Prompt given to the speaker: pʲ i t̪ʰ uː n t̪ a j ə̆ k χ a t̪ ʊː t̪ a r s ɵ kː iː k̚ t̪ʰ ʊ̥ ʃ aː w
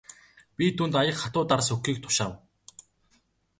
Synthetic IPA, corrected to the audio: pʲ i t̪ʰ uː n t̪ a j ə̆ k χ a t̪ ʊː t̪ a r s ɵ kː iː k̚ t̪ʰ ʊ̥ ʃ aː w